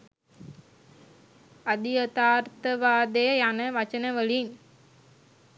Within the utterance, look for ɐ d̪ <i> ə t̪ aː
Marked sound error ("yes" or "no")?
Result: no